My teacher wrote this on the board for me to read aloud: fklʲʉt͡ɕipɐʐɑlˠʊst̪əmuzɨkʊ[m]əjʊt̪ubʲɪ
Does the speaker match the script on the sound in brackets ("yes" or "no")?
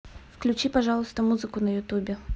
no